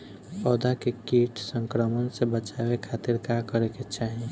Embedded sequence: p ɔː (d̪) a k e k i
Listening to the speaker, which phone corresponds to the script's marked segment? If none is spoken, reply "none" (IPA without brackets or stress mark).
d̪